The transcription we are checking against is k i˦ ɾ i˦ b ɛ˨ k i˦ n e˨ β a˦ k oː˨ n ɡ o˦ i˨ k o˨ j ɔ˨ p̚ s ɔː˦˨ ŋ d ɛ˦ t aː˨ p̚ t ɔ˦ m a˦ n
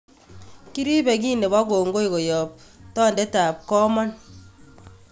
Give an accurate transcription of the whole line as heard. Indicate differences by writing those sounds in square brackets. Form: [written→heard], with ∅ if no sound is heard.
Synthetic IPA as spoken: k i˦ ɾ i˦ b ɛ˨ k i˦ n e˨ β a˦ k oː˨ [n→ŋ] ɡ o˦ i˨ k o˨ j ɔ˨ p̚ [s→t] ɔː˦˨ [ŋ→n] d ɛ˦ t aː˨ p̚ [t→k] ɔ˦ m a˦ n